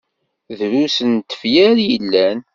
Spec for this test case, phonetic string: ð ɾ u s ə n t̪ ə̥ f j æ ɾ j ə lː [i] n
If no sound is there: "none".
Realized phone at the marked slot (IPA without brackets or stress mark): æ